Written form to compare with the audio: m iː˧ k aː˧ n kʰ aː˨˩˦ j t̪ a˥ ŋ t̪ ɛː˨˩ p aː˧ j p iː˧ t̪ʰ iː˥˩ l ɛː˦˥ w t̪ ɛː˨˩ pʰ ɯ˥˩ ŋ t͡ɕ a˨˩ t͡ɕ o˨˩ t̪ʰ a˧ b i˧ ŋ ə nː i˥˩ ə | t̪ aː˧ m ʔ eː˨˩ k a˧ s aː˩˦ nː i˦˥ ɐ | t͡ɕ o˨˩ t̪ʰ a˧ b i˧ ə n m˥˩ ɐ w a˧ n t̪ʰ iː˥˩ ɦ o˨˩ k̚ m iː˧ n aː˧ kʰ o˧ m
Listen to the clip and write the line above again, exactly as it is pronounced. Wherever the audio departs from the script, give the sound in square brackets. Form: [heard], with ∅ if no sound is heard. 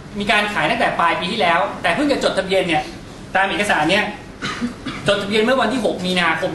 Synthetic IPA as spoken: m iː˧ k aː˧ n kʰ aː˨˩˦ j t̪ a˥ ŋ t̪ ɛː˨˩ p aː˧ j p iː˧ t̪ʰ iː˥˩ l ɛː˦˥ w t̪ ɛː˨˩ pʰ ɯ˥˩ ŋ t͡ɕ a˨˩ t͡ɕ o˨˩ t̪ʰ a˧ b i˧ [∅] ə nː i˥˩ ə | t̪ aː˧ m ʔ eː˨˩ k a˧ s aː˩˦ nː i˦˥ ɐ | t͡ɕ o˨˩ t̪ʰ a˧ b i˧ ə n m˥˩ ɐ w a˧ n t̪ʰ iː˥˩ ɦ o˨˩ k̚ m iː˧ n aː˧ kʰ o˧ m